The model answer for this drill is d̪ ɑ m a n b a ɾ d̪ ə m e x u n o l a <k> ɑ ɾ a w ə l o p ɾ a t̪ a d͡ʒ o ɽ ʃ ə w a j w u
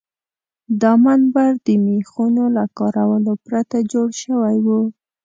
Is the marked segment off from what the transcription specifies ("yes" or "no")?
no